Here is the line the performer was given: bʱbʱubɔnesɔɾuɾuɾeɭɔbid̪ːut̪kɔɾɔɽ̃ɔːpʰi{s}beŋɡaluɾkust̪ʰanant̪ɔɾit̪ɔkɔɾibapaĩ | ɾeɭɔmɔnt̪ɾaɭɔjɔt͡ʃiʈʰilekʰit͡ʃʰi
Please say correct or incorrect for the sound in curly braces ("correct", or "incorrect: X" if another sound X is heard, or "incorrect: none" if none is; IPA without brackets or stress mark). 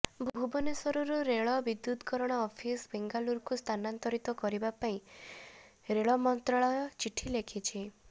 correct